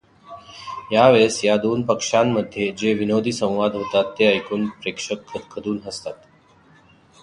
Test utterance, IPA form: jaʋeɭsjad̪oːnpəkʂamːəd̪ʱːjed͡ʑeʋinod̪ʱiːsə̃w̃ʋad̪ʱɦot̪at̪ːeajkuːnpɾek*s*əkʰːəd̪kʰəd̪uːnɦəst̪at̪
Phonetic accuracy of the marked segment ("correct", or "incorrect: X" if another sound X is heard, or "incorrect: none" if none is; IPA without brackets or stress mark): incorrect: ʂ